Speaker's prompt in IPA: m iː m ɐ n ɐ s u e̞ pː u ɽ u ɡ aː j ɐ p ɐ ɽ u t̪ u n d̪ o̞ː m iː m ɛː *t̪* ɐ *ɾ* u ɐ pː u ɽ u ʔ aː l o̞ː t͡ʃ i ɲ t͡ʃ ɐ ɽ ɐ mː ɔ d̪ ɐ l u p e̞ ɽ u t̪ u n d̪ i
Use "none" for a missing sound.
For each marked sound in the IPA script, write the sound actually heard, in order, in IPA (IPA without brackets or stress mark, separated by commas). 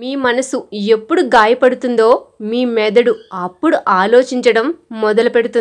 d̪, ɽ